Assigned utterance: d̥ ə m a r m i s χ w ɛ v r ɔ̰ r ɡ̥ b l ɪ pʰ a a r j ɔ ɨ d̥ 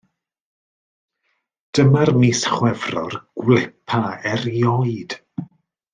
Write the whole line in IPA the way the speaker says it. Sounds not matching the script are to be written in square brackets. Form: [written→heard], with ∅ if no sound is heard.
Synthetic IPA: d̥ ə m a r m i s χ w ɛ v r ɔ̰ r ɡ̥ [b→w] l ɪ pʰ a [a→ɛ] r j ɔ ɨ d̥